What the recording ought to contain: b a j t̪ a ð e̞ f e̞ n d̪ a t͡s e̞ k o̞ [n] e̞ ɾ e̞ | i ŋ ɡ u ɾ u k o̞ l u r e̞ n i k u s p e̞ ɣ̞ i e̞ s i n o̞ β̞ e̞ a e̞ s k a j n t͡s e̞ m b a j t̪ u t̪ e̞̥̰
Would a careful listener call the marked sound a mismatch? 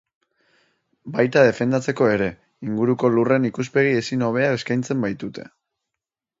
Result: yes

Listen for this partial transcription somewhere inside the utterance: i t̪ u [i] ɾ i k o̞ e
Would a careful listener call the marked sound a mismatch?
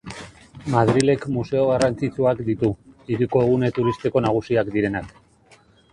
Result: no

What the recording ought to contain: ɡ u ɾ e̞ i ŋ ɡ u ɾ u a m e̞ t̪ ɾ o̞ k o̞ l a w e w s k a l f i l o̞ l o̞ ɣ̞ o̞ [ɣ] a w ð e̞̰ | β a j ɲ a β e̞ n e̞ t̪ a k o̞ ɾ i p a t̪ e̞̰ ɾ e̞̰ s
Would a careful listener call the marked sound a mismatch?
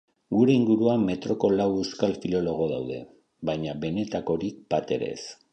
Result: yes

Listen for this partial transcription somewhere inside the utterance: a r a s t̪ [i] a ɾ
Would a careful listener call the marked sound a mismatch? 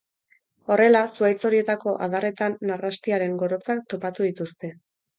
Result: no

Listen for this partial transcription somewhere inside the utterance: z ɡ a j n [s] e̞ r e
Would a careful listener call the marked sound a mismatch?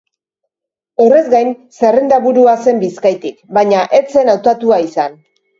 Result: no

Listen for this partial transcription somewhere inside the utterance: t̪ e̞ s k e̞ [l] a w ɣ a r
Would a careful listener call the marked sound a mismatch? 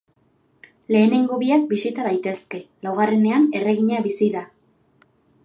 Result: no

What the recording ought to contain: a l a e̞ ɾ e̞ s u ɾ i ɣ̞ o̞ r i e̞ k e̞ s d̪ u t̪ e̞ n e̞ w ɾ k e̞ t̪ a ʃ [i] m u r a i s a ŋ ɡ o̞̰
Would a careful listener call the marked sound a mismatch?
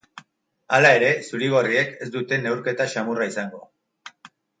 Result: yes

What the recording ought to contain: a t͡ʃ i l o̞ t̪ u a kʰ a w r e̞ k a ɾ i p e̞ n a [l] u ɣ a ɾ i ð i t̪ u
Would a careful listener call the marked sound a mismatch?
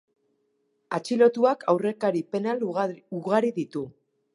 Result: no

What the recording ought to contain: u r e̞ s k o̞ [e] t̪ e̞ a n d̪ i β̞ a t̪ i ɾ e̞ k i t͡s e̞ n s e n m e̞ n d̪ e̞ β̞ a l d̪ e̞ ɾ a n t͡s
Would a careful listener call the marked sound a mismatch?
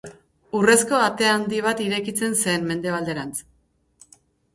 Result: yes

